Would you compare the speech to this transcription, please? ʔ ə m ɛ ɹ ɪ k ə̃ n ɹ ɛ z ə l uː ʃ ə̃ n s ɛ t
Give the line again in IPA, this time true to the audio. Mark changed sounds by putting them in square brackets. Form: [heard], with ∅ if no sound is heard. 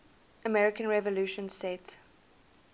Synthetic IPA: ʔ ə m ɛ ɹ ɪ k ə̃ n ɹ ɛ [v] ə l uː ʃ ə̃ n s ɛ t

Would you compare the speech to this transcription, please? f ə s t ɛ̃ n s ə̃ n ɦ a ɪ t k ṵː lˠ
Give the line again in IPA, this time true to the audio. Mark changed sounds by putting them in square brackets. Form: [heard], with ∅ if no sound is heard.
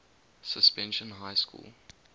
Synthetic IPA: [s] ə s [p] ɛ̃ n [ʃ] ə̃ n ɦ a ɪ [s] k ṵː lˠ

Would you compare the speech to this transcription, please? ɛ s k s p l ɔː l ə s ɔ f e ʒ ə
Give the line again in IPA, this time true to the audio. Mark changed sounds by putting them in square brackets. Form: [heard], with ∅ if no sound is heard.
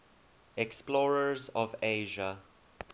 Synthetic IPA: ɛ [∅] k s p l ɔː [ɹ] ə [z] ɔ [v] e ʒ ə

